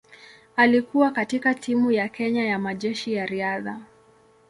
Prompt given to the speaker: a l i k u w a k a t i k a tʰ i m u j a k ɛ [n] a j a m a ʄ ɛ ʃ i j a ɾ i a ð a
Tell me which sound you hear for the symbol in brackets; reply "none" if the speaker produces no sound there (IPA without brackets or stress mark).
ɲ